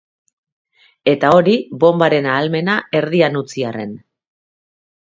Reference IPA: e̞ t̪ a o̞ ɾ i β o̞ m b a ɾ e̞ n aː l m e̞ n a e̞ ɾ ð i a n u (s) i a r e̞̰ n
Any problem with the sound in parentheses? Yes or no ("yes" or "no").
yes